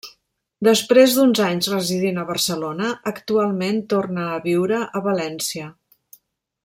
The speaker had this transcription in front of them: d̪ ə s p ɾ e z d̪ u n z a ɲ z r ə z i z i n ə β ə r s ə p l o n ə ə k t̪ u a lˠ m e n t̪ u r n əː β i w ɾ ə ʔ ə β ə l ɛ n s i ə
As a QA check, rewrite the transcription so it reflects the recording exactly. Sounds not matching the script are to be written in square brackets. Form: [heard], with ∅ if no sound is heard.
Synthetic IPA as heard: d̪ ə s p ɾ e z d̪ u n z a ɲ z r ə z i [ð] i n ə β ə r s ə [∅] l o n ə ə k t̪ u a lˠ m e n t̪ [o] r n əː β i w ɾ ə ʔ ə β ə l ɛ n s i ə

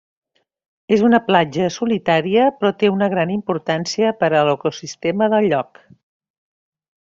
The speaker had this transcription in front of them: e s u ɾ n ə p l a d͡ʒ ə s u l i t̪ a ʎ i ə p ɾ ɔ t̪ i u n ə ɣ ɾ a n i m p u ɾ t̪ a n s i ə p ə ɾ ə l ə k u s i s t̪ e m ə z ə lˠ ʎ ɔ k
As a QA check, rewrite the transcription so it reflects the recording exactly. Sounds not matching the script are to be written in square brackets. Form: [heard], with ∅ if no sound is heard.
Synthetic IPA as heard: e [z] u [∅] n ə p l a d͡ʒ ə s u l i t̪ a [ɾ] i ə p ɾ ɔ t̪ [e] u n ə ɣ ɾ a n i m p u ɾ t̪ a n s i ə p ə ɾ ə l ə k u s i s t̪ e m ə [ð] ə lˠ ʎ ɔ k

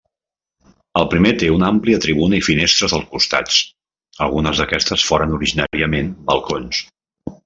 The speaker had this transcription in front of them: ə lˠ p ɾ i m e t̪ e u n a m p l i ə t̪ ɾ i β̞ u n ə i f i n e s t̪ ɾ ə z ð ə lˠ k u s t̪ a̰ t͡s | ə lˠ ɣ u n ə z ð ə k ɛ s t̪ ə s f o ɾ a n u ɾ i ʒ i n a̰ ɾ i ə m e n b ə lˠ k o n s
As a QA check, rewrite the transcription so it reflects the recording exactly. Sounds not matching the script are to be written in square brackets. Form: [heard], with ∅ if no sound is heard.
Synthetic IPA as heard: ə lˠ p ɾ i m e t̪ e u n a m p l i ə t̪ ɾ i β̞ u n ə i f i n e s t̪ ɾ ə z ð ə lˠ k u s t̪ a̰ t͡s | ə lˠ ɣ u n ə z ð ə k ɛ s t̪ ə s f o ɾ [ə] n u ɾ i ʒ i n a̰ ɾ i ə m e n b ə lˠ k o n s

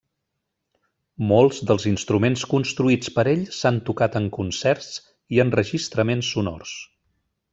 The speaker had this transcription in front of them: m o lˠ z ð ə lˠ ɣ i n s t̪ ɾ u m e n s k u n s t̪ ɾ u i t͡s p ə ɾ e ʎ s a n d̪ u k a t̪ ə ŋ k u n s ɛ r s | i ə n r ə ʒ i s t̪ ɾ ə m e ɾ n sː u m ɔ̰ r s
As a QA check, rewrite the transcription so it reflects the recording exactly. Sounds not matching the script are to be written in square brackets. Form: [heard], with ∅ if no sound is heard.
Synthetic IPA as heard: m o lˠ z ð ə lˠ [z] i n s t̪ ɾ u m e n s k u n s t̪ ɾ u i t͡s p ə ɾ e ʎ s a n [t̪] u k a t̪ ə ŋ k u n s ɛ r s | i ə n r ə ʒ i s t̪ ɾ ə m e [∅] n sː u [n] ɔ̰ r s

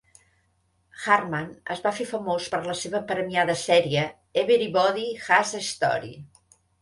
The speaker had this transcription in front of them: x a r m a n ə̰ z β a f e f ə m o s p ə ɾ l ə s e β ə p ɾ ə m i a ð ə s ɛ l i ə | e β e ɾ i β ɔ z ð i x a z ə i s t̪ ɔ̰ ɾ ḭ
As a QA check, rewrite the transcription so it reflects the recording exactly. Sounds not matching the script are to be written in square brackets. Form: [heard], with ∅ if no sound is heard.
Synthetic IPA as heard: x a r m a n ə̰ z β a f e f ə m o s p ə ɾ l ə s e β ə p ɾ ə m i a ð ə s ɛ [ɾ] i ə | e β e ɾ i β ɔ [∅] ð i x a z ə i s t̪ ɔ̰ ɾ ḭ

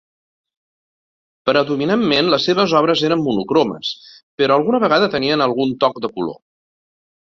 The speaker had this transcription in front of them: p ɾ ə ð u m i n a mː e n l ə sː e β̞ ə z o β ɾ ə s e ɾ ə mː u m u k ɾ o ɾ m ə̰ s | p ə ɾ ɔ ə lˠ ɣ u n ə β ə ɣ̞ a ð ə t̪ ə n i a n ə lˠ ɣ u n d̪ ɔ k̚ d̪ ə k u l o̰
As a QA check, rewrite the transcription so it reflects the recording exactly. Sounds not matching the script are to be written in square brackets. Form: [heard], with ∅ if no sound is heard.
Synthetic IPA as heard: p ɾ ə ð u m i n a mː e n l ə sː e β̞ ə z [ɔ] β ɾ ə [z] e ɾ ə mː u [n] u k ɾ o [∅] m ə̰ s | p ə ɾ ɔ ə lˠ ɣ u n ə β ə ɣ̞ a ð ə t̪ ə n i [ə] n ə lˠ ɣ u n [t̪] ɔ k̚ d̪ ə k u l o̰

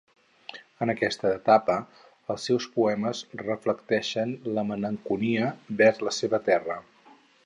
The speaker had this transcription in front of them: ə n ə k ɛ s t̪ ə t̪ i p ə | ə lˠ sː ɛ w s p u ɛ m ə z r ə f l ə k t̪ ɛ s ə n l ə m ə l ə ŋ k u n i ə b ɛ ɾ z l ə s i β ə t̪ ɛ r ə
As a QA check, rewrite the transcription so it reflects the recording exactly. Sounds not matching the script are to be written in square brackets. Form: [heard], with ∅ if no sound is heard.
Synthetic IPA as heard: ə n ə k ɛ s t̪ [əː] t̪ [a] p ə | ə lˠ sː ɛ w s p u ɛ m ə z r ə f l ə k t̪ ɛ [ʃ] ə n l ə m ə l ə ŋ k u n i ə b ɛ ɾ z l ə s [e] β ə t̪ ɛ r ə

